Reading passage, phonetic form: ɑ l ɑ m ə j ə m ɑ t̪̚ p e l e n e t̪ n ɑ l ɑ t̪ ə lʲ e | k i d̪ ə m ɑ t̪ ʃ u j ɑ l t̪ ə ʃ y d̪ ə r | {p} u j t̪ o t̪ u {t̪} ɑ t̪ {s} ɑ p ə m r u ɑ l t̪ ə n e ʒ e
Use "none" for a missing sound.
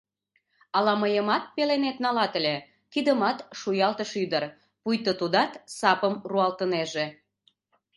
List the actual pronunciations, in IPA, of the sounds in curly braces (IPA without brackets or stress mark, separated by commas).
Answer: p, d̪, s